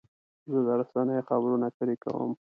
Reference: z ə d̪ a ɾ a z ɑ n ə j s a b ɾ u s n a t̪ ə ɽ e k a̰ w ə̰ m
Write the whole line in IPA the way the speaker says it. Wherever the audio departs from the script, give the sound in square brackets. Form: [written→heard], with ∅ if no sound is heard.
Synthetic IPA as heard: z ə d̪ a ɾ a [z→s] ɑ n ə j [s→x] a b ɾ u [s→∅] n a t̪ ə [ɽ→ɾ] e k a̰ w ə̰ m